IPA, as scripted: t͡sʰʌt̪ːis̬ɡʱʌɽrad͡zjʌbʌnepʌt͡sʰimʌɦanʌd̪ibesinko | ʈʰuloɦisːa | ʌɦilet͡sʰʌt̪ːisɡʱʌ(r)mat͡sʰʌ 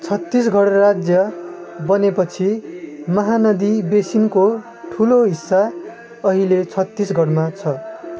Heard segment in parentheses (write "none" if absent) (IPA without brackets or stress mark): ɽ